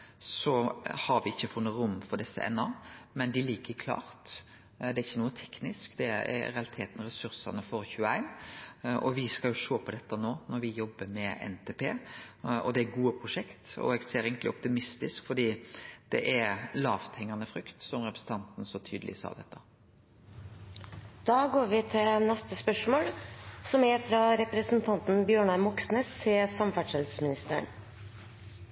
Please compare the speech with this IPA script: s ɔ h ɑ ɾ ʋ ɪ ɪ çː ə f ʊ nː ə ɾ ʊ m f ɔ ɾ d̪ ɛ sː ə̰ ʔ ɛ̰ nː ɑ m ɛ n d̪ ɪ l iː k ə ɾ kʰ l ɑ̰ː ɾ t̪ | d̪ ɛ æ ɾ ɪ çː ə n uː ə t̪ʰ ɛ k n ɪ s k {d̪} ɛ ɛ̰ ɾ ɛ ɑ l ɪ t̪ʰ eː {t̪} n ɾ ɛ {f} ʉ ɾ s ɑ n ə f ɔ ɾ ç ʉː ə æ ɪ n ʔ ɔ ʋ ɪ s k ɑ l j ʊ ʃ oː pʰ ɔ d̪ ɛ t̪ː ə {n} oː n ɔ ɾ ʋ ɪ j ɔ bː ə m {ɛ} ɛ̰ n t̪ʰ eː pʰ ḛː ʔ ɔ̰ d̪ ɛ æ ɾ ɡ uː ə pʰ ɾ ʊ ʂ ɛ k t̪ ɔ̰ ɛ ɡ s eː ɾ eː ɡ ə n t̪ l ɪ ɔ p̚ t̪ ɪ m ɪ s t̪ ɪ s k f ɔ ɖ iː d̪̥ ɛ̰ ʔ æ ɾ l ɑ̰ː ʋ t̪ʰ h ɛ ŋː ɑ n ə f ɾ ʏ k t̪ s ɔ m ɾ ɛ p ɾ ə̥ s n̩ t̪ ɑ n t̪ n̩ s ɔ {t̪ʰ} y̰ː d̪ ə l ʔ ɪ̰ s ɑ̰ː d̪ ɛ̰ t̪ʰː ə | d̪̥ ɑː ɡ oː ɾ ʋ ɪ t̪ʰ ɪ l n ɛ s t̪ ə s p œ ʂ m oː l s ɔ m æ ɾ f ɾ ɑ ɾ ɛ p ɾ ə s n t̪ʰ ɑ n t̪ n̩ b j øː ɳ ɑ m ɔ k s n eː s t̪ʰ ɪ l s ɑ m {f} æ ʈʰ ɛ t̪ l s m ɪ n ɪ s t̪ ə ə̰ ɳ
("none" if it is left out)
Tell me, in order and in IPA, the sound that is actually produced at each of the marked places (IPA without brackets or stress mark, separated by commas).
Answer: d̪, t̪, s, n, ɛ, t̪ʰ, f